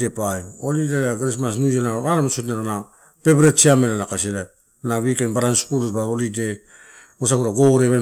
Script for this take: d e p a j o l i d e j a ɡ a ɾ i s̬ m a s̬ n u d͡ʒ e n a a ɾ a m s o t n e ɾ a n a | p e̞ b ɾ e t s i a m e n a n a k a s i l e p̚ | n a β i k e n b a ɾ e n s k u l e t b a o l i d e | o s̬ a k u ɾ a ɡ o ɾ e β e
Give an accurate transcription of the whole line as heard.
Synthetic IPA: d e p a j o l i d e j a ɡ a ɾ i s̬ m a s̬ n u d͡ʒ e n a a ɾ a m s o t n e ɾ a n a | p e̞ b ɾ e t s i a m e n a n a k a s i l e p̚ | n a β i k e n b a ɾ a n s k u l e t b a o l i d e | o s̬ a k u ɾ a ɡ o ɾ e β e